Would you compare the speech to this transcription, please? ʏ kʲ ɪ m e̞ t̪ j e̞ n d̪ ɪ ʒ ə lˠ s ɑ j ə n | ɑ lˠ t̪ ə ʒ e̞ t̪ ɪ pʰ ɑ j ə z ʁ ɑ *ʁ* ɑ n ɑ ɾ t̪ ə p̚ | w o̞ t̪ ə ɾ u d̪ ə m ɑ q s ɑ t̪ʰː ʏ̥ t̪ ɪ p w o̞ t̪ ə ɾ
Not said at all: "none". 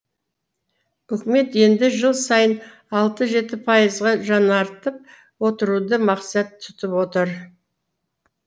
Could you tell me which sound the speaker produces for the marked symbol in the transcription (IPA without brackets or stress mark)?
ʒ